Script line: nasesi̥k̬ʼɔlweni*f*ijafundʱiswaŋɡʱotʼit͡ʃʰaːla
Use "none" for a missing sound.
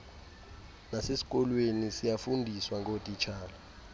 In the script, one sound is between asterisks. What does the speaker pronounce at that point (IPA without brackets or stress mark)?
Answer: s